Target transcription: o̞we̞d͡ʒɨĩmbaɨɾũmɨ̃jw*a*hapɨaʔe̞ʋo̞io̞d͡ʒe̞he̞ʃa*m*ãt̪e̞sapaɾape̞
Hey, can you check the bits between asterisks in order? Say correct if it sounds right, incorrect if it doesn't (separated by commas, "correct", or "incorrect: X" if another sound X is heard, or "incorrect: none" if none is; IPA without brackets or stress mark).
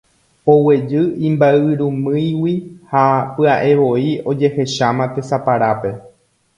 incorrect: i, correct